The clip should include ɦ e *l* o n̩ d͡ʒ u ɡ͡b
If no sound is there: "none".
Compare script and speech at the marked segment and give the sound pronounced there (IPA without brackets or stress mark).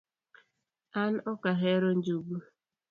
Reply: ɾ